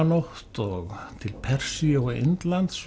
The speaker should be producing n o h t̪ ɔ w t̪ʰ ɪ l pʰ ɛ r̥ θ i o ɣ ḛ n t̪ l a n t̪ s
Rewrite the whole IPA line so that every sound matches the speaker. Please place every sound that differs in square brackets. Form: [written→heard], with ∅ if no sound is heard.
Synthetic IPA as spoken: n o h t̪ ɔ [w→ɣ] t̪ʰ ɪ l pʰ ɛ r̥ [θ→s] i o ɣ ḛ n t̪ l a n t̪ s